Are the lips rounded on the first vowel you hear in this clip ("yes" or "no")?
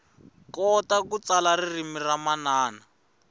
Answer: yes